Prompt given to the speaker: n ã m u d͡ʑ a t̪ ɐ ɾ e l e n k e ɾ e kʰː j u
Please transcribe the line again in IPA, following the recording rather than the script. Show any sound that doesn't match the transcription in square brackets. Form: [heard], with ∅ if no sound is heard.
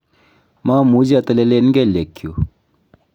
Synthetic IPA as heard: [m] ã m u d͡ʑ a t̪ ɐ [l] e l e n [ɡ] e [l] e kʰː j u